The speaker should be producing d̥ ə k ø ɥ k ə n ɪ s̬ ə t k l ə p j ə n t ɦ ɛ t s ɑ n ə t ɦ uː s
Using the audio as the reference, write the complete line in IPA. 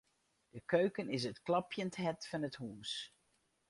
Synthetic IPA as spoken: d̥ ə k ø ɥ k ə n ɪ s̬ ə t k l ɑ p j ə n t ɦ ɛ t f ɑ n ə t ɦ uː s